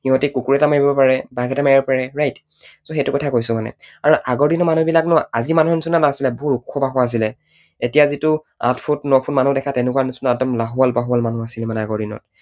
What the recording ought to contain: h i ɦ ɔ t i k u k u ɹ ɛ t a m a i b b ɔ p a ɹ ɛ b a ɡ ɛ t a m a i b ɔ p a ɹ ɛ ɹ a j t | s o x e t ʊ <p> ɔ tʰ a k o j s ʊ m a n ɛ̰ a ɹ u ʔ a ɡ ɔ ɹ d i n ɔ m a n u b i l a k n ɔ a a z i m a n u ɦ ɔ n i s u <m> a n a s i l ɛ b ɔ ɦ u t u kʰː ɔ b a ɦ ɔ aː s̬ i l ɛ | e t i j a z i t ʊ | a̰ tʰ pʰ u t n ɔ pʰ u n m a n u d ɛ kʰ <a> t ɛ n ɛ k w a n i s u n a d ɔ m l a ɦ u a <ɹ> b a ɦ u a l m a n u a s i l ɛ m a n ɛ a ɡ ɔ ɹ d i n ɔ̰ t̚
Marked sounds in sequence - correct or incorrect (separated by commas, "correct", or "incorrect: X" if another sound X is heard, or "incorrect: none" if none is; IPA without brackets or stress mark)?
incorrect: k, incorrect: n, correct, incorrect: l